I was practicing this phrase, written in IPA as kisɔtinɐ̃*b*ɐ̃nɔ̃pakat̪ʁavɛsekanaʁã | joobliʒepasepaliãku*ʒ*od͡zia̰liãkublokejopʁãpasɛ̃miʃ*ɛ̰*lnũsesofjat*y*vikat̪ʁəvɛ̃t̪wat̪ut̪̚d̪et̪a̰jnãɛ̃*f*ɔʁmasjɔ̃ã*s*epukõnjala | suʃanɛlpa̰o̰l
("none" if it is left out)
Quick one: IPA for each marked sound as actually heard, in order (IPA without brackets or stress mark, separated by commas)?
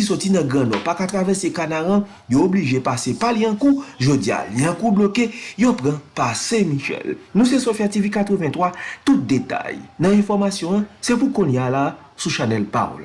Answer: ɡ, ʒ, ɛ̰, i, f, s